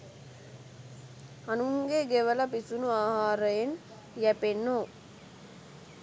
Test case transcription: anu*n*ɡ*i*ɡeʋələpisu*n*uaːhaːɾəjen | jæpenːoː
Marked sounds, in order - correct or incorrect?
incorrect, incorrect, correct

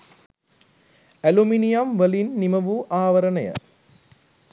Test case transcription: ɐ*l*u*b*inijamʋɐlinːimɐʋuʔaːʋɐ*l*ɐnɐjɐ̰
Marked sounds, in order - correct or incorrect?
correct, incorrect, incorrect

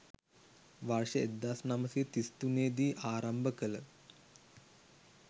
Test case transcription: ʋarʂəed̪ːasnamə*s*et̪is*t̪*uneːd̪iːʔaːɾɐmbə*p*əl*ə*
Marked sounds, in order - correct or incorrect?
correct, correct, incorrect, correct

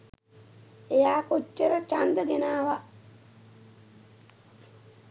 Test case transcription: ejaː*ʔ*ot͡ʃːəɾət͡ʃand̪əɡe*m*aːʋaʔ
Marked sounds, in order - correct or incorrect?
incorrect, incorrect

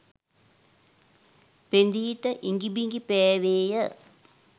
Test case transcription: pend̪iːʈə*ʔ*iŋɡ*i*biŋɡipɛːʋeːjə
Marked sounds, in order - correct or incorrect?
correct, correct

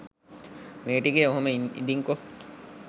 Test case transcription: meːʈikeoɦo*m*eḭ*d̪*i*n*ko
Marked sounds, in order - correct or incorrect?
correct, correct, incorrect

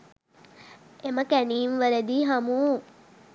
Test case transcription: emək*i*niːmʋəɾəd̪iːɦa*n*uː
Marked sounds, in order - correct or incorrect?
incorrect, incorrect

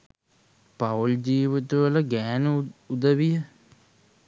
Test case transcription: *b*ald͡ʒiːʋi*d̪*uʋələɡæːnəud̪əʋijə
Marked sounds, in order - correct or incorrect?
incorrect, incorrect

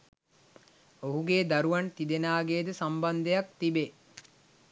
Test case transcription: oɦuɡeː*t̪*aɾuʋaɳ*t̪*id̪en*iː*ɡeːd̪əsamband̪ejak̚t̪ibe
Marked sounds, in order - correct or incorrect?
incorrect, correct, incorrect

